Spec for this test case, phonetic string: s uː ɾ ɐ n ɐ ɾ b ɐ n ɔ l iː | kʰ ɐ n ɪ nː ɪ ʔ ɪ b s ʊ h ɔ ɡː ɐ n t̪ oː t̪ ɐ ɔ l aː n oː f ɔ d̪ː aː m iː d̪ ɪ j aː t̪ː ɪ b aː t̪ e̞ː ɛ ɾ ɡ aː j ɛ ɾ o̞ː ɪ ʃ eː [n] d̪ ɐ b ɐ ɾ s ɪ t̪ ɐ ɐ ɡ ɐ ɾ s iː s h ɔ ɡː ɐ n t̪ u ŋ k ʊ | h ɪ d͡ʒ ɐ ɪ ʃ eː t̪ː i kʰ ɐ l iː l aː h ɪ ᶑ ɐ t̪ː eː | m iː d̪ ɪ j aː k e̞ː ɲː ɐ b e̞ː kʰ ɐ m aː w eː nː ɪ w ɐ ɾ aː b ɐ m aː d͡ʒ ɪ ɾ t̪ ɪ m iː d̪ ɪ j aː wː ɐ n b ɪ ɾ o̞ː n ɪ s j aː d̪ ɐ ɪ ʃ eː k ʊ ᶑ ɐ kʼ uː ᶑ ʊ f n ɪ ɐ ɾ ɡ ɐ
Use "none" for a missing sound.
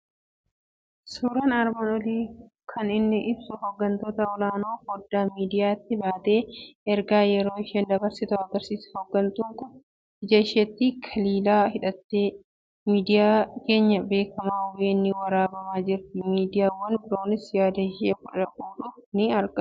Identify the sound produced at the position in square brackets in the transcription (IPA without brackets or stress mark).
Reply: n